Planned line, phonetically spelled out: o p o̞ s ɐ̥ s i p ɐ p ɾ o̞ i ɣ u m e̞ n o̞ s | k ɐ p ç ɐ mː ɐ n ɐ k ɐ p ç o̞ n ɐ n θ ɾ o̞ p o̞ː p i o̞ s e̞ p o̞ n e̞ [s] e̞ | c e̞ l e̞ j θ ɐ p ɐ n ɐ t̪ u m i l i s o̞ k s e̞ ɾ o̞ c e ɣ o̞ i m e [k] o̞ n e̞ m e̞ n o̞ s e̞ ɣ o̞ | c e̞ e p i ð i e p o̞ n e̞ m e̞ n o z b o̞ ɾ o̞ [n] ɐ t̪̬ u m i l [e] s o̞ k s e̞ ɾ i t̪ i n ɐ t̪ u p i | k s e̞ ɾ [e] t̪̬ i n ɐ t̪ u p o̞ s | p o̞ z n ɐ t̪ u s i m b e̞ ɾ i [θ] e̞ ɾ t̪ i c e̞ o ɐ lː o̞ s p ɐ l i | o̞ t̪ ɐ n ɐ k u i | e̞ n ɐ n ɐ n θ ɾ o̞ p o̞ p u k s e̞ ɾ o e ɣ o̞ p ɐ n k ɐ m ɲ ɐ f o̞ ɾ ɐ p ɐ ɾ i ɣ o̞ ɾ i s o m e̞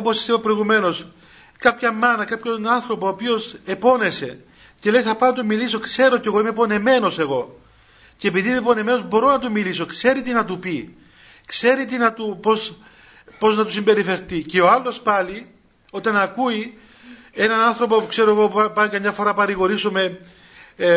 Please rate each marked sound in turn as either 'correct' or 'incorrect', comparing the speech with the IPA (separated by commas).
correct, incorrect, correct, incorrect, incorrect, incorrect